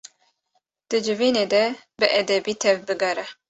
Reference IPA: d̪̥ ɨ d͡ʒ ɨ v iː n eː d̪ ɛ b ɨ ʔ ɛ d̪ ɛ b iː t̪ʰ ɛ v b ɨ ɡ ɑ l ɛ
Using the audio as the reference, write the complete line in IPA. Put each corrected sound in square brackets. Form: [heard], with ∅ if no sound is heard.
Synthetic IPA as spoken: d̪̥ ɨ d͡ʒ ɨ v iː n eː d̪ ɛ b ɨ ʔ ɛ d̪ ɛ b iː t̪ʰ ɛ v b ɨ ɡ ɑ [ɾ] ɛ